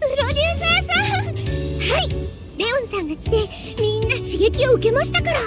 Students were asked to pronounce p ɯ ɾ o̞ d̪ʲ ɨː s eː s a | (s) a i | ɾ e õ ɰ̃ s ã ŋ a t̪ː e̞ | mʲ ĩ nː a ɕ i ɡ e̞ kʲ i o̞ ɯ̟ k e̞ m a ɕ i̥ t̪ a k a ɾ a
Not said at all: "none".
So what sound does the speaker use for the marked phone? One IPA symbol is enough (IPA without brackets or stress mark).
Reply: h